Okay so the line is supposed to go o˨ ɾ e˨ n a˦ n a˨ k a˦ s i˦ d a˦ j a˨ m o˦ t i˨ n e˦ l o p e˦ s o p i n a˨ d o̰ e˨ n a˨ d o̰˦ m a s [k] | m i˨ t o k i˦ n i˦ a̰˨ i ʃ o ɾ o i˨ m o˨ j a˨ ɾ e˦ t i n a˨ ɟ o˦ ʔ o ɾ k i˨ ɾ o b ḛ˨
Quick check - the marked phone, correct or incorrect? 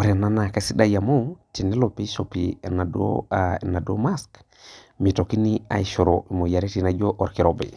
correct